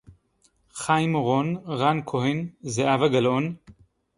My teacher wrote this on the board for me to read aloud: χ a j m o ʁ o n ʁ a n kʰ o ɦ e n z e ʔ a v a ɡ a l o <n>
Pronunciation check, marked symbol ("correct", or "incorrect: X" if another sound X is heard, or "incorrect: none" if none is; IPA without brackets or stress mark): correct